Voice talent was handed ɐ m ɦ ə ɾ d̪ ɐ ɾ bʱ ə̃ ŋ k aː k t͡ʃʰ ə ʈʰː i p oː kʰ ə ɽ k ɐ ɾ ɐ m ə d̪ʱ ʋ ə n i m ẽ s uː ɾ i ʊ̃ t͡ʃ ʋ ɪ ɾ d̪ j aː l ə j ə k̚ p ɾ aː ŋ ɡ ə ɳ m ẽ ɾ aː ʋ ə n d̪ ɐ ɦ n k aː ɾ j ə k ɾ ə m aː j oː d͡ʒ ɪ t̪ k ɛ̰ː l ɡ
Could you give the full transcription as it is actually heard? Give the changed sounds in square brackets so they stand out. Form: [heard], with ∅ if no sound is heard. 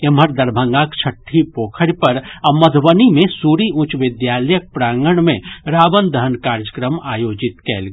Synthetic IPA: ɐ m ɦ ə ɾ d̪ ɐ ɾ bʱ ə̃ ŋ [ɡ] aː k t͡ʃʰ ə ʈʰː i p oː kʰ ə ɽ [p] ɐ ɾ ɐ m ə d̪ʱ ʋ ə n i m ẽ s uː ɾ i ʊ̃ t͡ʃ ʋ ɪ [∅] d̪ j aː l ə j ə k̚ p ɾ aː ŋ ɡ ə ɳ m ẽ ɾ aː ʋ ə n d̪ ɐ ɦ n k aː ɾ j ə k ɾ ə m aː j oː d͡ʒ ɪ t̪ k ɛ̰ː l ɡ